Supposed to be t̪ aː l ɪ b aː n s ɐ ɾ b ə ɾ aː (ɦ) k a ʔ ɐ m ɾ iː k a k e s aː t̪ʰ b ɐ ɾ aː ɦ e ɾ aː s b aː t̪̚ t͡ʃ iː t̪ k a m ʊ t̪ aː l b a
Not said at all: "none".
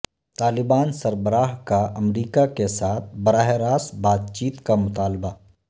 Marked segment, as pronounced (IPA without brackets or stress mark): ɦ